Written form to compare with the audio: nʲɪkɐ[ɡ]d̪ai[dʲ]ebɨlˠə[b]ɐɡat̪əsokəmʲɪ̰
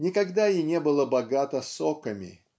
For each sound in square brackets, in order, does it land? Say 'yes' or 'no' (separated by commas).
yes, no, yes